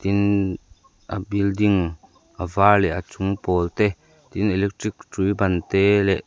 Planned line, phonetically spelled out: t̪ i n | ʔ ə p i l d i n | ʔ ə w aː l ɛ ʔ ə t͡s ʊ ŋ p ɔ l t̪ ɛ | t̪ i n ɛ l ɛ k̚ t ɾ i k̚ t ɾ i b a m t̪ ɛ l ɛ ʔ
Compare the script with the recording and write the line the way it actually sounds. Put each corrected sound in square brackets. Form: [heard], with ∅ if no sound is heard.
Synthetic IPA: t̪ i n | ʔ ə [b] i l d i [ŋ] | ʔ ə [v] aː l ɛ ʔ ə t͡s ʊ ŋ p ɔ l t̪ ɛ | t̪ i n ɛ l ɛ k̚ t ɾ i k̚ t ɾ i b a [n] t̪ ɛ l ɛ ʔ